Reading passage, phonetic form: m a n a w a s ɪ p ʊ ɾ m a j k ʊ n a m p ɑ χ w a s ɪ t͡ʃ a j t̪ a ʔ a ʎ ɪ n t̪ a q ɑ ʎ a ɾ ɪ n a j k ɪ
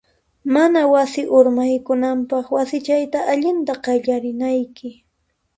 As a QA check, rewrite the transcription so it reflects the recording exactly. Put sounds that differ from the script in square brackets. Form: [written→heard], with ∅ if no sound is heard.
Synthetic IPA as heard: m a n a w a s ɪ [p→ʔ] ʊ ɾ m a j k ʊ n a m p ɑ χ w a s ɪ t͡ʃ a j t̪ a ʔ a ʎ ɪ n t̪ a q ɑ ʎ a ɾ ɪ n a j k ɪ